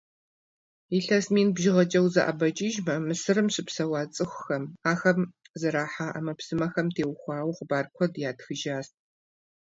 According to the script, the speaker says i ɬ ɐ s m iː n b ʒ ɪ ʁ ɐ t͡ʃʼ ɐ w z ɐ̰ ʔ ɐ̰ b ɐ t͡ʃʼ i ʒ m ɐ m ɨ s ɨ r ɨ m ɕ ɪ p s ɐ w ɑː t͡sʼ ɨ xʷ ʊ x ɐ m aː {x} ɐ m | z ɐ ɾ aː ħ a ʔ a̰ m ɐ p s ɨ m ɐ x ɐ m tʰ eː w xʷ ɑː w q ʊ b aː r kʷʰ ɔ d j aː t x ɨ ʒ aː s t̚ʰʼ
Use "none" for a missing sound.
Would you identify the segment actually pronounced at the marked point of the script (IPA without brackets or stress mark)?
x